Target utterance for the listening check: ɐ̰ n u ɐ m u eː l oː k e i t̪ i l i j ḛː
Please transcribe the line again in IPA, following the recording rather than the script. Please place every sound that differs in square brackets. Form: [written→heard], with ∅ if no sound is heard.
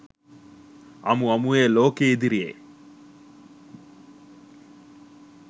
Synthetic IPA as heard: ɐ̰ [n→m] u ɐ m u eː l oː k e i [t̪→d̪] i [l→ɾ] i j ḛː